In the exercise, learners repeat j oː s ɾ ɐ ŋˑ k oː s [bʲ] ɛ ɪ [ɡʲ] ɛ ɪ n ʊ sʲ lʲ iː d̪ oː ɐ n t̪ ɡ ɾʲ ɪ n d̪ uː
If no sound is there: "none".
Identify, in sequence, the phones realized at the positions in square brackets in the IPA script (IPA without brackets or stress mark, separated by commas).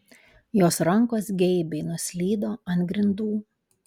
ɡʲ, bʲ